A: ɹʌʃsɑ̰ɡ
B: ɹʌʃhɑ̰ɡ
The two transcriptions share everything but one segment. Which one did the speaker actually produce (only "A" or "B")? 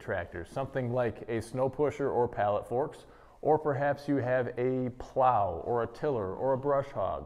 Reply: B